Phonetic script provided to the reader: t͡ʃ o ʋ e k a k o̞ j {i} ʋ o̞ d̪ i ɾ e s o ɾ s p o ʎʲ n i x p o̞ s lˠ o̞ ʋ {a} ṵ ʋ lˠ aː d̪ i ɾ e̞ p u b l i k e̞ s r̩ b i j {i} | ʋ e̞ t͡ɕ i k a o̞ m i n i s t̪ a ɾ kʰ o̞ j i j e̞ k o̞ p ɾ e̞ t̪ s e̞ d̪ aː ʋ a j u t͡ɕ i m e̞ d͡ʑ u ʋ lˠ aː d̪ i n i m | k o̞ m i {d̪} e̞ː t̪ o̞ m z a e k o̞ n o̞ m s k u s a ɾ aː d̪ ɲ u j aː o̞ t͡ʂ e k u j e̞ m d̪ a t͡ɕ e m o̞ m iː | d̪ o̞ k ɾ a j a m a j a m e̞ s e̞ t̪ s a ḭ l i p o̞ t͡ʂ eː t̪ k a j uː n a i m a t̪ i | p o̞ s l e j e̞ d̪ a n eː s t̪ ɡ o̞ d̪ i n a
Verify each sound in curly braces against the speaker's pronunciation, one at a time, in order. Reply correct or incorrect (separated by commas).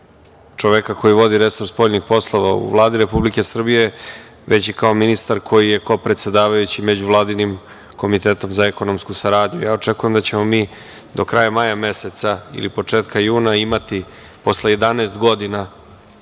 correct, correct, incorrect, incorrect